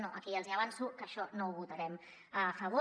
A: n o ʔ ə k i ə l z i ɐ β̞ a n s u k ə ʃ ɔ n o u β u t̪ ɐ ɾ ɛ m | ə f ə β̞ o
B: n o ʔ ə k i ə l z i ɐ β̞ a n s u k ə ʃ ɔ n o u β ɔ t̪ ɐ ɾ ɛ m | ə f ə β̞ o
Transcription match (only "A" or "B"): A